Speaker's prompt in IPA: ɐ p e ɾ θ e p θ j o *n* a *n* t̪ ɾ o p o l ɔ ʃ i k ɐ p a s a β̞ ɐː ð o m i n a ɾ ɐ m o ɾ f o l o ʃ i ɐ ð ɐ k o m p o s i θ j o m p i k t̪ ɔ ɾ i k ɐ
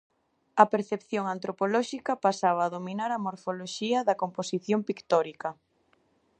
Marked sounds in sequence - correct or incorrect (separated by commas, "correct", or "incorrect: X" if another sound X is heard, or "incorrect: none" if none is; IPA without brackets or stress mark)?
incorrect: ŋ, correct